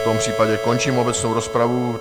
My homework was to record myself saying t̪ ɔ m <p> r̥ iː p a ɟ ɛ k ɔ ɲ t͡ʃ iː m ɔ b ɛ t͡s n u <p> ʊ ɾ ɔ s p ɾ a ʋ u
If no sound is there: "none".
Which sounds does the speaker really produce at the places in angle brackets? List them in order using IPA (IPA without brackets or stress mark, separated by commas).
p, none